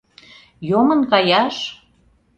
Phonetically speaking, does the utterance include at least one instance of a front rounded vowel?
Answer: no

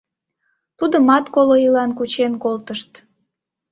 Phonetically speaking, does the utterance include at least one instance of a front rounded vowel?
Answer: no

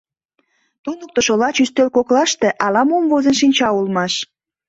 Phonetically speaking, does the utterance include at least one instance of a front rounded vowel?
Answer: yes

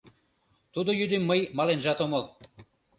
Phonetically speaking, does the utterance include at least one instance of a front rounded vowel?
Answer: yes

